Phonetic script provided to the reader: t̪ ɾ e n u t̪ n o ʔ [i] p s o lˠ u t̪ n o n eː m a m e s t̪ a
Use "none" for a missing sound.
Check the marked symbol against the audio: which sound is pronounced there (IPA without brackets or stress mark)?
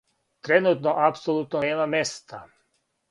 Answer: a